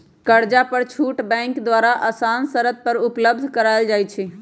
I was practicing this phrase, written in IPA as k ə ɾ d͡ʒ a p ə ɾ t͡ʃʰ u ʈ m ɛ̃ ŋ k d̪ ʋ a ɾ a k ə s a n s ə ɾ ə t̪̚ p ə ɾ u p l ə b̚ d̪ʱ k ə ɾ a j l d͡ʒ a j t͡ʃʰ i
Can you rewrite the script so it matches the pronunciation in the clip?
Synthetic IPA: k ə ɾ d͡ʒ a p ə ɾ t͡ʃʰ u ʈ b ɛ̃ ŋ k d̪ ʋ a ɾ a ʔ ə s a n s ə ɾ ə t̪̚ p ə ɾ u p l ə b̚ d̪ʱ k ə ɾ a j l d͡ʒ a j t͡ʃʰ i